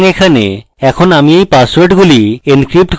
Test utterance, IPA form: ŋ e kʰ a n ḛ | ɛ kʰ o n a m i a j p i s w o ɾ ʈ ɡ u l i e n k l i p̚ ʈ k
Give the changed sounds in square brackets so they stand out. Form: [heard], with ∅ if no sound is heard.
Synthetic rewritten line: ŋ e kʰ a n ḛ | ɛ kʰ o n a m i [e] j p [a] s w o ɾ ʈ ɡ u l i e n k [ɾ] i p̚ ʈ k